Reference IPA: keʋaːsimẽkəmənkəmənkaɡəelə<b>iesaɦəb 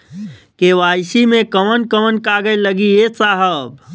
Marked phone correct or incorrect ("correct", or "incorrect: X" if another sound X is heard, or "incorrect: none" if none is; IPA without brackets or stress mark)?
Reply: incorrect: ɡ